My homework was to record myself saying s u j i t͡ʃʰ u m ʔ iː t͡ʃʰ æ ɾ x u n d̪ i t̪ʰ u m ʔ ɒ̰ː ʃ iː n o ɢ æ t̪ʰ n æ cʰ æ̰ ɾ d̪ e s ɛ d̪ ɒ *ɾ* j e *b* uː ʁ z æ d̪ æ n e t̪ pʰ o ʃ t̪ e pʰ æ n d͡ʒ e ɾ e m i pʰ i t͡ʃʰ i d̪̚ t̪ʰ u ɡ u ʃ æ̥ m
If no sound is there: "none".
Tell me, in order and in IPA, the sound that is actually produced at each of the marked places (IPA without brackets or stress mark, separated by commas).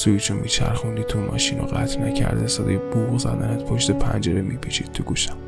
none, b